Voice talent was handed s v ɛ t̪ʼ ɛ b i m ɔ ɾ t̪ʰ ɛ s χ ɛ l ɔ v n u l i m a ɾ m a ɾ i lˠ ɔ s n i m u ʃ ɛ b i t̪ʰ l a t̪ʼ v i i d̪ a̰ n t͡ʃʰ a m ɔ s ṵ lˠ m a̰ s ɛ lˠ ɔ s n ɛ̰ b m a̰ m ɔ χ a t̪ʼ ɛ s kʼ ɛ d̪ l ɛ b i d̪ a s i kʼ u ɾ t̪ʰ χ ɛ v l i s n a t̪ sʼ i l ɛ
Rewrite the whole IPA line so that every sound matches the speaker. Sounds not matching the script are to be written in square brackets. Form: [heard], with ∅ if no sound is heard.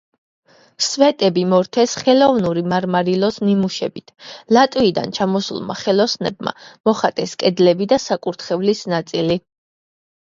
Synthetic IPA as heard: s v ɛ t̪ʼ ɛ b i m ɔ ɾ t̪ʰ ɛ s χ ɛ l ɔ v n u [ɾ] i m a ɾ m a ɾ i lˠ ɔ s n i m u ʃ ɛ b i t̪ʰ l a t̪ʼ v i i d̪ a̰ n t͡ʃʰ a m ɔ s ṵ lˠ m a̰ [χ] ɛ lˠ ɔ s n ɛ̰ b m a̰ m ɔ χ a t̪ʼ ɛ s kʼ ɛ d̪ l ɛ b i d̪ a s [a] kʼ u ɾ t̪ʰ χ ɛ v l i s n a t̪ sʼ i l [i]